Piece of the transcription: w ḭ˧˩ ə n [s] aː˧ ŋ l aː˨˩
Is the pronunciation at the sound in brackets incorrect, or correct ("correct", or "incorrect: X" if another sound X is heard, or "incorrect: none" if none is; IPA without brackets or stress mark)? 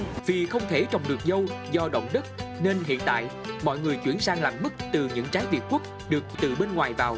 correct